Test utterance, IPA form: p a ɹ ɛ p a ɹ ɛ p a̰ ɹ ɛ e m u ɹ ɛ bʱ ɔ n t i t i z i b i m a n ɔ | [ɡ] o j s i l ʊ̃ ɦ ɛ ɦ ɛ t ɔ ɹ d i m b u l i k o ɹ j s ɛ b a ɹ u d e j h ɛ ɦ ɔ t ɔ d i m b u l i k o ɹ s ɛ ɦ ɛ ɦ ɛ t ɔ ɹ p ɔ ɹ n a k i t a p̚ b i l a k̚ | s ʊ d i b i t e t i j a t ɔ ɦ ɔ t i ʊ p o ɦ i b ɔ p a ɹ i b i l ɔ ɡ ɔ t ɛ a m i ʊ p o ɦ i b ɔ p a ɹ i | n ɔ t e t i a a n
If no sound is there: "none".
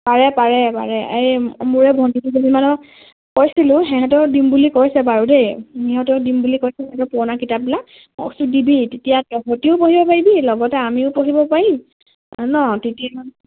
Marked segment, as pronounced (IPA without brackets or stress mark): k